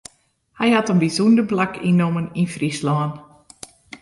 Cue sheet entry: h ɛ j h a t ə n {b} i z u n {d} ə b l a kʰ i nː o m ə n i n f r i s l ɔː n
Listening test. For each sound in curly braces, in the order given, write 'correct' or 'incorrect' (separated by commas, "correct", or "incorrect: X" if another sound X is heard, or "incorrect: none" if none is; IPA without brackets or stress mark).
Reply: correct, correct